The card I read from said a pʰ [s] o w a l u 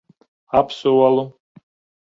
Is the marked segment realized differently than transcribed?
no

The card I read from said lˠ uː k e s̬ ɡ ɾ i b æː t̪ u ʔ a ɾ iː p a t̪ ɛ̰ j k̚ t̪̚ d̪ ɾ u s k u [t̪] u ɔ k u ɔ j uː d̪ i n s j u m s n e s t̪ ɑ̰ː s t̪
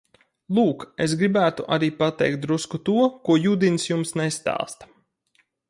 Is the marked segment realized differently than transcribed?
no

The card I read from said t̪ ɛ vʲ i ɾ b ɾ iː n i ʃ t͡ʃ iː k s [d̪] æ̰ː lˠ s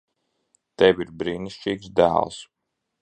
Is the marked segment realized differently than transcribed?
no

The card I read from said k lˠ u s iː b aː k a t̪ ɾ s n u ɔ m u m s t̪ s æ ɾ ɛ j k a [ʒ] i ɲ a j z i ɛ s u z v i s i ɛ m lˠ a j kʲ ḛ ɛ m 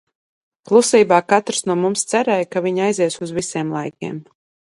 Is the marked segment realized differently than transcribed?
yes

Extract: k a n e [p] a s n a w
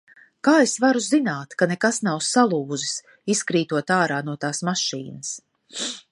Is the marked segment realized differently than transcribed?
yes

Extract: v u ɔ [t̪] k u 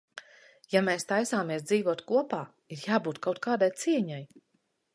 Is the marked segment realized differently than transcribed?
no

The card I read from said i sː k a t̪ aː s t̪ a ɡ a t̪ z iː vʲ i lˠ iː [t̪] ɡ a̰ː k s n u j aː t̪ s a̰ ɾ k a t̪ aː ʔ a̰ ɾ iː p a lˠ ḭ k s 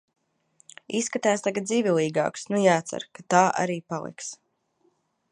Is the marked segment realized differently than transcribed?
yes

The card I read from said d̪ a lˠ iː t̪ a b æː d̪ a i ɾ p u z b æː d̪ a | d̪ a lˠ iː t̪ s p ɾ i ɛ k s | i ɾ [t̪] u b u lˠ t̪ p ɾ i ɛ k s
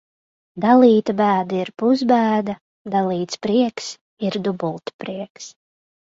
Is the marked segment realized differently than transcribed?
yes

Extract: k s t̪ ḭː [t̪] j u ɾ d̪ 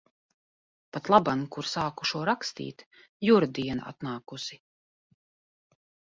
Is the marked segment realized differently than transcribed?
no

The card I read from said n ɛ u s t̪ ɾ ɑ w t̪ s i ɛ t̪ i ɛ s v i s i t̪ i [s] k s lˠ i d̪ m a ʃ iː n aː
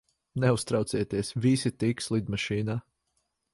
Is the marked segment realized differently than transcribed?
yes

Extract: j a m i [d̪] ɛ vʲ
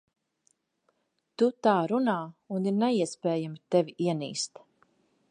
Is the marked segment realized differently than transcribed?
yes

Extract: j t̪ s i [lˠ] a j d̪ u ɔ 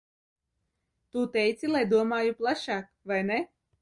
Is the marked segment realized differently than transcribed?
no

